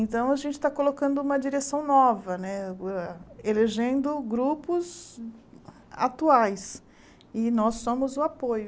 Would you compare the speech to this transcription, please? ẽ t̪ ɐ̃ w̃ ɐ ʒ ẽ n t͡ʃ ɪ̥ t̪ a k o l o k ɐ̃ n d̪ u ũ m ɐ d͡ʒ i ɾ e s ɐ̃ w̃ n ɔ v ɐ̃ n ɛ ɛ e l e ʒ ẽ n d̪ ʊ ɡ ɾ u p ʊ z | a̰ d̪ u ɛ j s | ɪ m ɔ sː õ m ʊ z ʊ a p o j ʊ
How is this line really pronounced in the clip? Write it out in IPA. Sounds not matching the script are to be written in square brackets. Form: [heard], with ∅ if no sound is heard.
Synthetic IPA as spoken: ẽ t̪ ɐ̃ w̃ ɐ ʒ ẽ n t͡ʃ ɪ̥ t̪ a k o l o k ɐ̃ n d̪ [ʊ] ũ m ɐ d͡ʒ i ɾ e s ɐ̃ w̃ n ɔ v [ɐ] n ɛ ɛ e l e ʒ ẽ n d̪ ʊ ɡ ɾ u p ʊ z | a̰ [t̪] u [a] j s | ɪ [n] ɔ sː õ m ʊ z ʊ a p o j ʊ

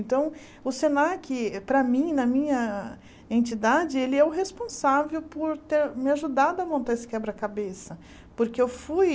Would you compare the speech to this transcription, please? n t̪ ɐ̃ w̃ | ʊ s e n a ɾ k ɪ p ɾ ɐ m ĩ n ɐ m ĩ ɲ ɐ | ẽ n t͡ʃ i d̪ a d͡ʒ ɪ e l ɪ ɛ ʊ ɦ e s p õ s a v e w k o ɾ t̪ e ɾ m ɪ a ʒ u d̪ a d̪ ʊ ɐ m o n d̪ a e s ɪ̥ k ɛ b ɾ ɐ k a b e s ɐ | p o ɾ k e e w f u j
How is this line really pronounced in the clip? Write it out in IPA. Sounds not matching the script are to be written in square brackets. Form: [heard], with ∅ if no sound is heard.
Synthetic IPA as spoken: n t̪ ɐ̃ w̃ | ʊ s e n a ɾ k ɪ p ɾ ɐ m ĩ n ɐ m ĩ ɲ ɐ | ẽ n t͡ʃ i d̪ a d͡ʒ ɪ e l ɪ ɛ ʊ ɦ e s p õ s a v e w [p] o ɾ t̪ e ɾ m ɪ a ʒ u d̪ a d̪ ʊ ɐ m [õ] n [t̪] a e s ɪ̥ k ɛ b ɾ ɐ k a b e s ɐ | p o ɾ k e e w f u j

